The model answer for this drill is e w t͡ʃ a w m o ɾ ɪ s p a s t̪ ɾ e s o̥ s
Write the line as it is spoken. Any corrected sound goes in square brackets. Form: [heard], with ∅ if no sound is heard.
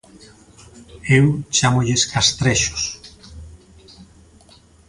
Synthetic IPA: e w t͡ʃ a [∅] m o [ʎ] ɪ s [k] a s t̪ ɾ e [ʃ] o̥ s